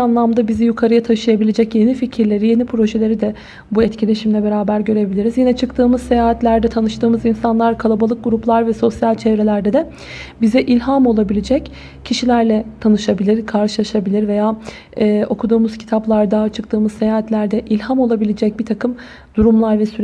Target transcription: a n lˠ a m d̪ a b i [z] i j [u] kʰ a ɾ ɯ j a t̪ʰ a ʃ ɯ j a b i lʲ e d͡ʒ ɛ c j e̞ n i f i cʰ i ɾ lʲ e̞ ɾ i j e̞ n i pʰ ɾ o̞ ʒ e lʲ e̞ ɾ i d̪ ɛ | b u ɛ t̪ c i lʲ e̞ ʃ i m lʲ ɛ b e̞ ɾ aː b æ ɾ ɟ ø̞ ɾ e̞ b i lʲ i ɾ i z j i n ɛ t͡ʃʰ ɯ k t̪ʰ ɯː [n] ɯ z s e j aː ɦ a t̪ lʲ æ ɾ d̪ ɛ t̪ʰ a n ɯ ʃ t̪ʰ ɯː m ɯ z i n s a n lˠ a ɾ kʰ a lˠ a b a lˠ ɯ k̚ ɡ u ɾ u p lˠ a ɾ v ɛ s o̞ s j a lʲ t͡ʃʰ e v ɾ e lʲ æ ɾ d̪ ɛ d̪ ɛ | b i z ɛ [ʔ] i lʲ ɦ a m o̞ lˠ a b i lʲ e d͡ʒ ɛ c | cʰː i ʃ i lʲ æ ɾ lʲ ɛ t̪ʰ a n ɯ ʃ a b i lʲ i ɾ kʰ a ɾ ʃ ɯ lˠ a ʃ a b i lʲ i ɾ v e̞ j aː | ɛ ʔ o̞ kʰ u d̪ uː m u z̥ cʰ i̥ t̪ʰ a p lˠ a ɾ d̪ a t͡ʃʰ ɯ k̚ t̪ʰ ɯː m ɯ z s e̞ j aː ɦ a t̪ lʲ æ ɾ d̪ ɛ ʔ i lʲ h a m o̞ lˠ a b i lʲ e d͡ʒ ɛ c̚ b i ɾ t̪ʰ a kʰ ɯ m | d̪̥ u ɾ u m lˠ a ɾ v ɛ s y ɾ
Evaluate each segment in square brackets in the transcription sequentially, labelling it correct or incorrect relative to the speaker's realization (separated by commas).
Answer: correct, correct, incorrect, correct